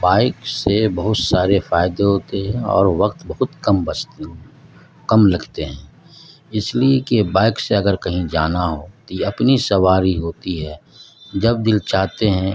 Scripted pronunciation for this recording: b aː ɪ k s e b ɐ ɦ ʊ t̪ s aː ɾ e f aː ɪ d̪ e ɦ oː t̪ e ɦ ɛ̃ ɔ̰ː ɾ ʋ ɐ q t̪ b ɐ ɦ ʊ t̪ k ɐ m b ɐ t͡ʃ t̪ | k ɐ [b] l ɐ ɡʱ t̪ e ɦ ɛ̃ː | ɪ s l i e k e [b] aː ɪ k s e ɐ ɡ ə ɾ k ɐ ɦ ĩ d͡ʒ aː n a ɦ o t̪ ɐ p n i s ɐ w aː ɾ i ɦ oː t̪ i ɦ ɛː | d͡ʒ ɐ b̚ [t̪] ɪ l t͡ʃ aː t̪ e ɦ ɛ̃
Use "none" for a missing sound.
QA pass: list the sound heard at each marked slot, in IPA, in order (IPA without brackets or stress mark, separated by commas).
m, b, d̪